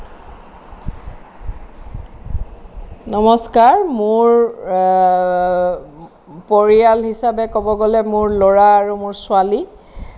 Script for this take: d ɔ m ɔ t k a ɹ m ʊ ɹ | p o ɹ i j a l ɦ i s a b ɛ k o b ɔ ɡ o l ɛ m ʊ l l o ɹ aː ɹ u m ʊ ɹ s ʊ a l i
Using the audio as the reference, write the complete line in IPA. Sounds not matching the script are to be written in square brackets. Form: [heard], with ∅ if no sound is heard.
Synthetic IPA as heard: [n] ɔ m ɔ [s] k a ɹ m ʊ ɹ | p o ɹ i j a l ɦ i s a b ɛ k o b ɔ ɡ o l ɛ m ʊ [ɹ] l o ɹ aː ɹ u m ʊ ɹ s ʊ a l i